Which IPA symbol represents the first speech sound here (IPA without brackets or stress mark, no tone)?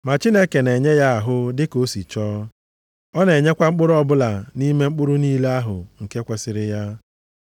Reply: m